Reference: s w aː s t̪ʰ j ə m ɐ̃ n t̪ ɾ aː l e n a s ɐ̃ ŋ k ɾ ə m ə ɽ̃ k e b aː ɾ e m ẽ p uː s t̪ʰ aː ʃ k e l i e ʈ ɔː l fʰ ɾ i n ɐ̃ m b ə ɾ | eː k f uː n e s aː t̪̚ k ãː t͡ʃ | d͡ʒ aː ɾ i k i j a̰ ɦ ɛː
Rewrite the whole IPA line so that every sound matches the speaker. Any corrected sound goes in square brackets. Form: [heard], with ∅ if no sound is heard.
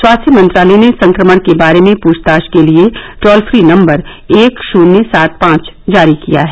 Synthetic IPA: s w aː s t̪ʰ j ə m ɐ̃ n t̪ ɾ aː l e n [e] s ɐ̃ ŋ k ɾ ə m ə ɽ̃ k e b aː ɾ e m ẽ p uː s [t̪] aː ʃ k e l i e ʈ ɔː l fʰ ɾ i n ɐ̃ m b ə ɾ | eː k [ʃ] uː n e s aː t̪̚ [p] ãː t͡ʃ | d͡ʒ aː ɾ i k i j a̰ ɦ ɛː